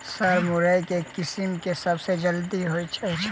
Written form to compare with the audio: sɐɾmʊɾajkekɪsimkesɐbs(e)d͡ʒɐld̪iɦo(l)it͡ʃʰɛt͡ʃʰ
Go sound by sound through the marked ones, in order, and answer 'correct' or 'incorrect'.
correct, incorrect: none

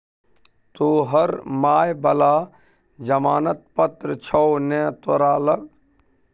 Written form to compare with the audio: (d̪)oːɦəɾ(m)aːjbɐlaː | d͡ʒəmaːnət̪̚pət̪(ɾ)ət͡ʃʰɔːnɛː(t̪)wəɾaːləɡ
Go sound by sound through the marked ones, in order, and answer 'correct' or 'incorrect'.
incorrect: t̪, correct, correct, correct

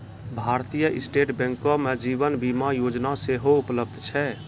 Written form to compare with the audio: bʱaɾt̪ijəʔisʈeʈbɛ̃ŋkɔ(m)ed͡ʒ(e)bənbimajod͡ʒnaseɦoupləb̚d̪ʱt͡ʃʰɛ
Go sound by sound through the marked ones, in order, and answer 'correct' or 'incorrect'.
correct, incorrect: i

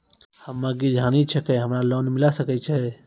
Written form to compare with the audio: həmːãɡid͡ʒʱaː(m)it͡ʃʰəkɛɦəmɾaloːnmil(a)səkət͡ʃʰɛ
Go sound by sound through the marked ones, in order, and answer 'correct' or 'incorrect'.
incorrect: n, correct

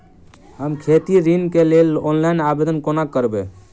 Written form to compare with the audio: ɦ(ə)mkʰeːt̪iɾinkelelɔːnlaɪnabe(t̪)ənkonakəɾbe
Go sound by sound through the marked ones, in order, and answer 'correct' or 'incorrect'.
correct, incorrect: d̪

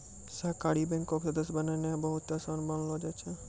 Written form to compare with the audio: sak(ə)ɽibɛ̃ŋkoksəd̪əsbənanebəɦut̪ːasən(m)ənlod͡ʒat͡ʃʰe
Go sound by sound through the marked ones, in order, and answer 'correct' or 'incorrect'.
incorrect: a, incorrect: b

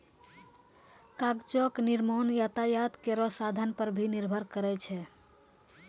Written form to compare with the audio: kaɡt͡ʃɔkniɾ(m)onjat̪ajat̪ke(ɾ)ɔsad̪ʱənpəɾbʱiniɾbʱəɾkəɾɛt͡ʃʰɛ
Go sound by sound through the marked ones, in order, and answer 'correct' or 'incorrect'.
correct, correct

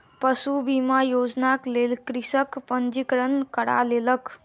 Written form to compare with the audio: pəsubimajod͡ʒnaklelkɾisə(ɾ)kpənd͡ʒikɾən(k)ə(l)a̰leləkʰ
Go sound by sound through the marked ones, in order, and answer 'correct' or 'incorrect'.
incorrect: none, correct, incorrect: ɽ

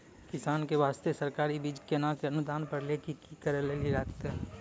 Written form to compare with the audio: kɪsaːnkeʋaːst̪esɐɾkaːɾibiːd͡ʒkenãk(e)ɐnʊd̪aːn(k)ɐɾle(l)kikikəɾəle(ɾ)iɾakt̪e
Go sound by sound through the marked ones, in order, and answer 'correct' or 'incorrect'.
correct, incorrect: p, incorrect: none, incorrect: l

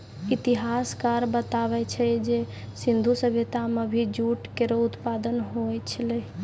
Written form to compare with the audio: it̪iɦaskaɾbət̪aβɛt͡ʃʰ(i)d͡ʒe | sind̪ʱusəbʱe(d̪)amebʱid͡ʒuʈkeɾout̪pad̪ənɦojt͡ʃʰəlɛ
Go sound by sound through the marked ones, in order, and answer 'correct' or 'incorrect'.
incorrect: ɛ, incorrect: t̪

